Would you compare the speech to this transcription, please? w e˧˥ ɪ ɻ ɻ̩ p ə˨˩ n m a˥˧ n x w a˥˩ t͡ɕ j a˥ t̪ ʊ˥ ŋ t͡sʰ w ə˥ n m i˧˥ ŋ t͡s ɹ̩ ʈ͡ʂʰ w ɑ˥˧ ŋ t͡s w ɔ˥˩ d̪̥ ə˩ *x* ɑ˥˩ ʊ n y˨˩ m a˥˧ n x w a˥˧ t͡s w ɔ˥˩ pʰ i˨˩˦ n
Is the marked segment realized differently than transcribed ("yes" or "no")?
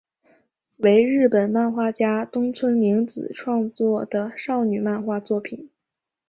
yes